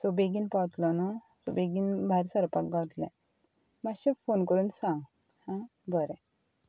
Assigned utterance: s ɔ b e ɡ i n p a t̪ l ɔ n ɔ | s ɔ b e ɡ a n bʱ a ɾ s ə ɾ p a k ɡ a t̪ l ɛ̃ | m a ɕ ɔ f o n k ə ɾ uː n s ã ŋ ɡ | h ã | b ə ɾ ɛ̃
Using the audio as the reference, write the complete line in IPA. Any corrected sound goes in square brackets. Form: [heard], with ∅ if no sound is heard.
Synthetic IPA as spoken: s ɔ b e ɡ i n p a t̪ l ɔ n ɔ | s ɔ b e ɡ [i] n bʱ a ɾ s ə ɾ p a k ɡ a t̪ l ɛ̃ | m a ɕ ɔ f o n k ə ɾ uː n s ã ŋ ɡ | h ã | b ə ɾ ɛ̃